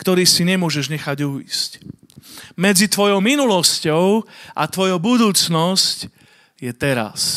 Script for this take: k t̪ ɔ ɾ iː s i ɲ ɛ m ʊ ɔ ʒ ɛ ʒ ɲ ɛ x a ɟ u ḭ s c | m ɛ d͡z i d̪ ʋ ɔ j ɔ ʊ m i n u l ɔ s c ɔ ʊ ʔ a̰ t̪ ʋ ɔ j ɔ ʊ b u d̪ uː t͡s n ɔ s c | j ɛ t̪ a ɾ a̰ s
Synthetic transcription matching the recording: k t̪ ɔ ɾ iː s i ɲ ɛ m ʊ ɔ ʒ ɛ ʒ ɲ ɛ x a ɟ u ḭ s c | m ɛ d͡z i t̪ ʋ ɔ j ɔ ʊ m i n u l ɔ s c ɔ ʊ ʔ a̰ t̪ ʋ ɔ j ɔ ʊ b u d̪ uː t͡s n ɔ s c | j ɛ t̪ ɛ ɾ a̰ s